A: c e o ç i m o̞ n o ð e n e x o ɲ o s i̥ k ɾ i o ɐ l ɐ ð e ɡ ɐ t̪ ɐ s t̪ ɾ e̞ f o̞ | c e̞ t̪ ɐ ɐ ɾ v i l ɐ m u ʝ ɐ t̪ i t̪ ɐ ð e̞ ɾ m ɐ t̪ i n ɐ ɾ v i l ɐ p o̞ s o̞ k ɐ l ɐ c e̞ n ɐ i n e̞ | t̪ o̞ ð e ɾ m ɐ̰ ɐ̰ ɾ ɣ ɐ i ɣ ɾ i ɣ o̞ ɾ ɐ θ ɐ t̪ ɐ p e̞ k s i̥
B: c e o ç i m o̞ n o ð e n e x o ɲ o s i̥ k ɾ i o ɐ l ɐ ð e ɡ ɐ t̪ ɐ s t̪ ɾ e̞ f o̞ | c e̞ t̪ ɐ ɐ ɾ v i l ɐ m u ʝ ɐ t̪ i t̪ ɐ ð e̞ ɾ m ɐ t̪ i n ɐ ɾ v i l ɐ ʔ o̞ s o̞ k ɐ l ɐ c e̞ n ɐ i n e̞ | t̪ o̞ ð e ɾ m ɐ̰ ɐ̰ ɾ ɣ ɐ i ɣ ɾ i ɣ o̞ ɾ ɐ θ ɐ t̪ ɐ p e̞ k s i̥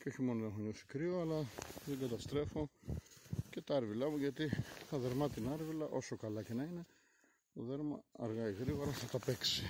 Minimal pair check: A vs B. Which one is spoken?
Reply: B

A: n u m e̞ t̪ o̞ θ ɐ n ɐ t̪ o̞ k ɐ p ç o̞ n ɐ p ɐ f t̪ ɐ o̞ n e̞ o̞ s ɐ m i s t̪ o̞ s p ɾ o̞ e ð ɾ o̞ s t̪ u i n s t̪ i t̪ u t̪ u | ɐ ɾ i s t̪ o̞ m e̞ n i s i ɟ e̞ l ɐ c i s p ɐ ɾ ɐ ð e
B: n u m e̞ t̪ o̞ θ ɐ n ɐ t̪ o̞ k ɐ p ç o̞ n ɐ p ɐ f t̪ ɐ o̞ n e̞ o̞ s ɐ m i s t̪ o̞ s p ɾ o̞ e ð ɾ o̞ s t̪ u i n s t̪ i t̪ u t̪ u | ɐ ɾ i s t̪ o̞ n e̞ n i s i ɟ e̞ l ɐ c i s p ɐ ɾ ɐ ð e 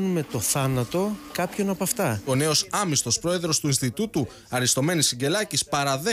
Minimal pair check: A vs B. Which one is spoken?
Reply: A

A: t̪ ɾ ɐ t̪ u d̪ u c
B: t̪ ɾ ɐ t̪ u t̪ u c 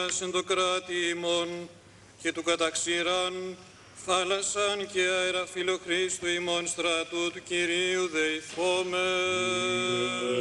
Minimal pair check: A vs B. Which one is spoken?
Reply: B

